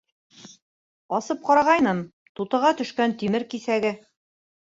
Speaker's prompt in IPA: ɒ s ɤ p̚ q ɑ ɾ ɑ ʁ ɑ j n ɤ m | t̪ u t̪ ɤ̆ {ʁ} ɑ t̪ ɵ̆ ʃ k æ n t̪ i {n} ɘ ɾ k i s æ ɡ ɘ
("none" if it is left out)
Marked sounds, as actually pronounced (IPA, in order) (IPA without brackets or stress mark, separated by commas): ʁ, m